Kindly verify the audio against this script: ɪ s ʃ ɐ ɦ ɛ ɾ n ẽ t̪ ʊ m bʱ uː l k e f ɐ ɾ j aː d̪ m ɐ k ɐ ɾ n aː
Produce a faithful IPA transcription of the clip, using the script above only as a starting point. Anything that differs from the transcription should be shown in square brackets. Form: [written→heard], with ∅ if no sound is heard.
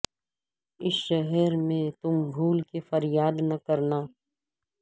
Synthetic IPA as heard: ɪ s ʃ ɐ ɦ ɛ ɾ [n→m] ẽ t̪ ʊ m bʱ uː l k e f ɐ ɾ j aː d̪ [m→n] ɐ k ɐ ɾ n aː